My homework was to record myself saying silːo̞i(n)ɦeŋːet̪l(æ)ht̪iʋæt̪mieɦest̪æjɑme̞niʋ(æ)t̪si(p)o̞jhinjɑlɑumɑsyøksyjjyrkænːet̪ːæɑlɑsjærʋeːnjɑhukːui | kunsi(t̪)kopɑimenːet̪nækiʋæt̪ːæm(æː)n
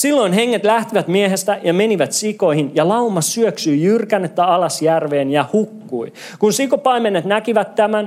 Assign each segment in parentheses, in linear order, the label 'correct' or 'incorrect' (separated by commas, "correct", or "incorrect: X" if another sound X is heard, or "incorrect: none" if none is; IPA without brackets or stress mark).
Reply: correct, correct, correct, incorrect: k, incorrect: none, incorrect: æ